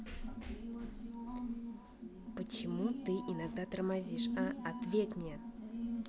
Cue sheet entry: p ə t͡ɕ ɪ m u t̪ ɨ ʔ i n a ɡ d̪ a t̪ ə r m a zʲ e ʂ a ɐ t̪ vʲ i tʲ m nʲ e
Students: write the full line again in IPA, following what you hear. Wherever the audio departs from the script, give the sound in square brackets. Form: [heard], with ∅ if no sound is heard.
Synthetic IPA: p ə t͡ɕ ɪ m u t̪ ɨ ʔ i n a ɡ d̪ a t̪ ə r m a zʲ [i] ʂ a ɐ t̪ vʲ [e] tʲ m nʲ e

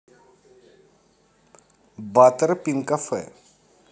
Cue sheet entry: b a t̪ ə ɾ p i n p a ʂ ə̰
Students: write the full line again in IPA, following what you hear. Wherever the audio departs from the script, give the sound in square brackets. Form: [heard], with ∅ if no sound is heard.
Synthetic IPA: b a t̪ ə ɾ p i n [k] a [f] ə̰

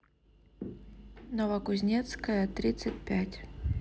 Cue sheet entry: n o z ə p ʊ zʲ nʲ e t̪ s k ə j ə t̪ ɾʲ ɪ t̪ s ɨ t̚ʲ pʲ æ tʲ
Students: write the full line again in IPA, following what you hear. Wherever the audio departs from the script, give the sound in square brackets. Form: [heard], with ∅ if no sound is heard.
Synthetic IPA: n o [v] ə [k] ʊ zʲ nʲ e t̪ s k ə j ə t̪ ɾʲ [i] t̪ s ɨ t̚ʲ pʲ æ tʲ

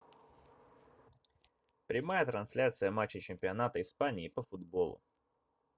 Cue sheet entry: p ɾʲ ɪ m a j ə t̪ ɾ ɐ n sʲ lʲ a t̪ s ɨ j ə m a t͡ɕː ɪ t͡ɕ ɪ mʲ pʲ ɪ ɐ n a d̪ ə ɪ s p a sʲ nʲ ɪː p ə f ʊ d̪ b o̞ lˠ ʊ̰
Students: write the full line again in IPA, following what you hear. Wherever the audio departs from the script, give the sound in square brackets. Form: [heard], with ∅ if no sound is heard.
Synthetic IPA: p ɾʲ ɪ m a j ə t̪ ɾ ɐ n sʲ lʲ a t̪ s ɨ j ə m a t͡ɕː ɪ t͡ɕ ɪ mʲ pʲ ɪ ɐ n a [t̪] ə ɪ s p a [∅] nʲ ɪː p ə f ʊ d̪ b o̞ lˠ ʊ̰

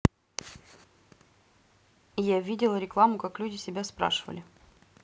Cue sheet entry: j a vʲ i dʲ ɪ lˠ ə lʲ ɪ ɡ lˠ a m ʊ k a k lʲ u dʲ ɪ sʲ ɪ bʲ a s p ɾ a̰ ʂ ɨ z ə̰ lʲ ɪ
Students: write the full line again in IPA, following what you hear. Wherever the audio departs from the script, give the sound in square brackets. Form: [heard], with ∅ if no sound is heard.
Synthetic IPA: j a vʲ i dʲ ɪ lˠ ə [ɾʲ] ɪ [k] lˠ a m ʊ k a k lʲ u dʲ ɪ sʲ ɪ bʲ a s p ɾ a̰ ʂ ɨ [v] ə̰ lʲ ɪ

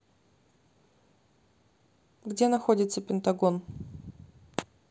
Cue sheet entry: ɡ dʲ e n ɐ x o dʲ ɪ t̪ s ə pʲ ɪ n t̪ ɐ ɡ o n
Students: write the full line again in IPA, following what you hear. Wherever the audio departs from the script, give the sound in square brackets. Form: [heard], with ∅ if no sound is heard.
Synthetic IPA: ɡ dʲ e n ɐ x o dʲ ɪ t̪ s ə pʲ ɪ n t̪ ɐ ɡ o n

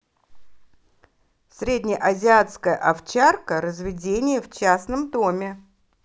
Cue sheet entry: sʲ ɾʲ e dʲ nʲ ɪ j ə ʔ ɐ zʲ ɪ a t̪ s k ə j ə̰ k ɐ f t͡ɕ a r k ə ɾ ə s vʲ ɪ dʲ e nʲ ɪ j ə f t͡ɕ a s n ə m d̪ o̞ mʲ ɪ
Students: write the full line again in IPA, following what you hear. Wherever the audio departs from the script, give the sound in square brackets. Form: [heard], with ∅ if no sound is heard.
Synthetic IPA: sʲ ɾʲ e dʲ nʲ ɪ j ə ʔ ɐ zʲ ɪ a t̪ s k ə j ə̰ [ʔ] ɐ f t͡ɕ a r k ə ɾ ə [z] vʲ ɪ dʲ e nʲ ɪ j ə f t͡ɕ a s n ə m d̪ o̞ mʲ ɪ

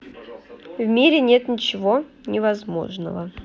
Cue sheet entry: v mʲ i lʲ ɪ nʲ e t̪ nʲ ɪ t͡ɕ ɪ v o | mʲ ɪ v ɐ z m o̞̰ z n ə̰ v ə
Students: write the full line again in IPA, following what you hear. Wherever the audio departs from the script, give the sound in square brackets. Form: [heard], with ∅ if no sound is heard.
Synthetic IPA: v mʲ i [ɾʲ] ɪ nʲ e t̪ nʲ ɪ t͡ɕ ɪ v o | [nʲ] ɪ v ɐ z m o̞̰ [ʐ] n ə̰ v ə

